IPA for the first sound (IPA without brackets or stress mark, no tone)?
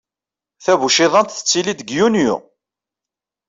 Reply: θ